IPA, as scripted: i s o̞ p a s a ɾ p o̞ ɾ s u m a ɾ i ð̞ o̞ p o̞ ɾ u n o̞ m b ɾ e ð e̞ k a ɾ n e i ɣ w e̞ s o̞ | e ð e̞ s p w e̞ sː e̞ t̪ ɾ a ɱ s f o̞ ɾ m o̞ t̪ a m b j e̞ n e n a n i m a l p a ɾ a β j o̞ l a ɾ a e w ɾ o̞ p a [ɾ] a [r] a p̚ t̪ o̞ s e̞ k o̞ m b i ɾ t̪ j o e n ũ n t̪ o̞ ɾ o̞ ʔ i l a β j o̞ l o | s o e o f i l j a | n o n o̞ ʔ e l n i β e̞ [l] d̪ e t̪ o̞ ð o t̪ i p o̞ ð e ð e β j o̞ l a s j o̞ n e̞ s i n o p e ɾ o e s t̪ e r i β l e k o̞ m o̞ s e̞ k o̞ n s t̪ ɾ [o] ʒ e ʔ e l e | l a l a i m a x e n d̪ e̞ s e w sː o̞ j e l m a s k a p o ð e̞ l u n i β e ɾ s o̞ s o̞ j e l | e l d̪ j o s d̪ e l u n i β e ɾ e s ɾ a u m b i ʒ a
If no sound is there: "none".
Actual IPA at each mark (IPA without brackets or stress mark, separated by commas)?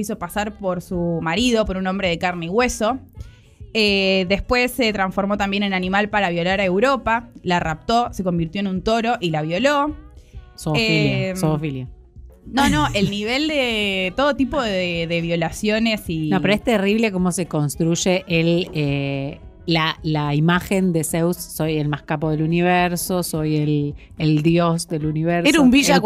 l, r, l, u